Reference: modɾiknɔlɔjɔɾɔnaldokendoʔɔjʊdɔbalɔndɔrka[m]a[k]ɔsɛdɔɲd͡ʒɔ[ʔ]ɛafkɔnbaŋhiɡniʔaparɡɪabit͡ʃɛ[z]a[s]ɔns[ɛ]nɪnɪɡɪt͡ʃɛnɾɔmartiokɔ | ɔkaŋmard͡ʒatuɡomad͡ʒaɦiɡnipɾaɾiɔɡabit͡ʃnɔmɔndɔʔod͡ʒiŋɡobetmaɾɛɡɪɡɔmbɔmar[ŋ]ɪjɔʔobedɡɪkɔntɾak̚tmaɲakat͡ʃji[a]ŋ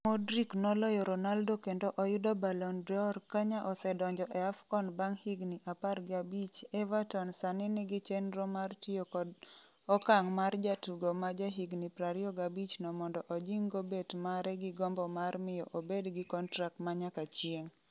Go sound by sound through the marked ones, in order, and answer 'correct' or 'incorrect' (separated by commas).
incorrect, incorrect, correct, incorrect, incorrect, incorrect, incorrect, incorrect